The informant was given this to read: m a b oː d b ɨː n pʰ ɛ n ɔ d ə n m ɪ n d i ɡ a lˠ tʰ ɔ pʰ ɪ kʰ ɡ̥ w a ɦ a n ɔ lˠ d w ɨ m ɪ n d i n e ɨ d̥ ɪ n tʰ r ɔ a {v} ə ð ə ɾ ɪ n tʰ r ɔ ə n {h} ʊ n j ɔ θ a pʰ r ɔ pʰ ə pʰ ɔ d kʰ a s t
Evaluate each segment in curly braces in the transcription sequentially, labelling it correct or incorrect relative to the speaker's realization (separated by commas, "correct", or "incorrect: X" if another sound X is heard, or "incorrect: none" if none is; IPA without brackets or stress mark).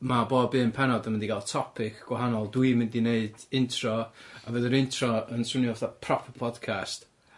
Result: correct, incorrect: s